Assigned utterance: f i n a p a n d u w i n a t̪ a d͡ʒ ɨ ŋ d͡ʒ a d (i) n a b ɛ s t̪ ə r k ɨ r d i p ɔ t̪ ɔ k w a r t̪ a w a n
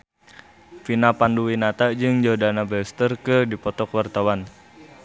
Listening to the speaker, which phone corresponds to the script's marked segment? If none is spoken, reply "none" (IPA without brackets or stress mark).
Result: a